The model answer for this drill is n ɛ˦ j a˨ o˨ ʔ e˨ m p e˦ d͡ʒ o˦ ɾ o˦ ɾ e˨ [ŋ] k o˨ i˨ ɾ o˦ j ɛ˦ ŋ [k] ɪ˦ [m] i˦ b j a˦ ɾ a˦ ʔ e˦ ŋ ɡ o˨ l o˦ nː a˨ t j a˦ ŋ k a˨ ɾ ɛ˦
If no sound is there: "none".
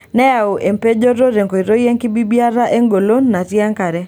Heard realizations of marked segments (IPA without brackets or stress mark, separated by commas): ŋ, k, b